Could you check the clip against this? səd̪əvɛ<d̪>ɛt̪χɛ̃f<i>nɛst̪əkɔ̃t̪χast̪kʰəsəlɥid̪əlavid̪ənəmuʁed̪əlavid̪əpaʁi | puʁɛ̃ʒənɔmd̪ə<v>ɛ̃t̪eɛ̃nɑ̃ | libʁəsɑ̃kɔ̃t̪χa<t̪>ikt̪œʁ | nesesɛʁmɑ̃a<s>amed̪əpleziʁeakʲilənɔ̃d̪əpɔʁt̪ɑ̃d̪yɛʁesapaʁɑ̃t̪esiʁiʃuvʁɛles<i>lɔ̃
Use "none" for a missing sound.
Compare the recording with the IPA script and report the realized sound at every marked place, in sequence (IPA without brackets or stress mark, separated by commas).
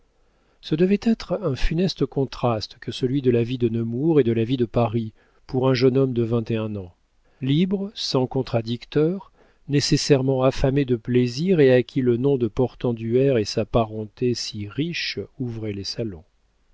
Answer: t̪, y, v, d̪, f, a